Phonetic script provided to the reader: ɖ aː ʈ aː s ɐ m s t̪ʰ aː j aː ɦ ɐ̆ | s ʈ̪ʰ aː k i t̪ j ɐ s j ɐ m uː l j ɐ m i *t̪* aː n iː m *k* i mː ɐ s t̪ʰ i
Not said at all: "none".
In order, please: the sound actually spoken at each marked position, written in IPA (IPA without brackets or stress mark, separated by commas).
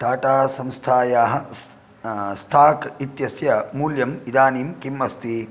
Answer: d̪, k